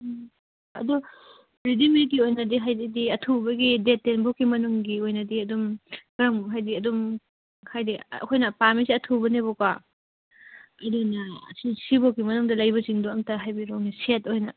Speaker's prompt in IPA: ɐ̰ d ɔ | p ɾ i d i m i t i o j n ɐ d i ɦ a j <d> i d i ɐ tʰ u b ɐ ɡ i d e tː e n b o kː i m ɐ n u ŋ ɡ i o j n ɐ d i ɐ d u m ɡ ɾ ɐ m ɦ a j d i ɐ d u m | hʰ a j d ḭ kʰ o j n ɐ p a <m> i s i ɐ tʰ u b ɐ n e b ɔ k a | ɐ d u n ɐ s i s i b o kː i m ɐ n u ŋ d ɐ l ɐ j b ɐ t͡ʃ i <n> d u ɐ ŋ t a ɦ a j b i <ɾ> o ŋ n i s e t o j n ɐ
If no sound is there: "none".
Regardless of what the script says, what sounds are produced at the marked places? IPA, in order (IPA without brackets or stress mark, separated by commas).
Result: d, m, ŋ, ɾ